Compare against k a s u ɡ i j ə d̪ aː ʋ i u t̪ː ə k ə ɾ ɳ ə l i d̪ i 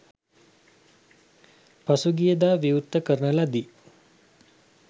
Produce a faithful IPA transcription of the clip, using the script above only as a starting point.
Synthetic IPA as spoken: p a s u ɡ i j ə d̪ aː ʋ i u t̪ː ə k ə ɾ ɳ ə l a d̪ i